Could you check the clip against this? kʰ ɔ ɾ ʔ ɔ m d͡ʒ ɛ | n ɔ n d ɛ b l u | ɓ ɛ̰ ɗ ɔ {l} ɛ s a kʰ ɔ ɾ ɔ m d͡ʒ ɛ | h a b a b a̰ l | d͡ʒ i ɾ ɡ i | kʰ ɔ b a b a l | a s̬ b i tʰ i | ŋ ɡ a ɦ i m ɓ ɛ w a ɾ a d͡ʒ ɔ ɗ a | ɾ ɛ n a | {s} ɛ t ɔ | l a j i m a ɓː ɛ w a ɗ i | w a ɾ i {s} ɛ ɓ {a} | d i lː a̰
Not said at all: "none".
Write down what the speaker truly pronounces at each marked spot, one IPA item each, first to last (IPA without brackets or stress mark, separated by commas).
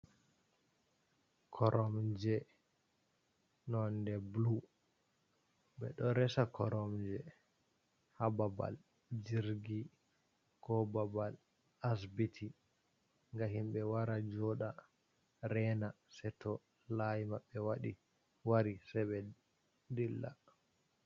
ɾ, s, s, ɛ